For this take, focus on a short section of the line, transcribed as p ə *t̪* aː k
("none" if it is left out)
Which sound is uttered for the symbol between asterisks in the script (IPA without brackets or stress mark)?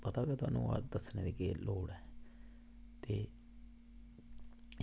t̪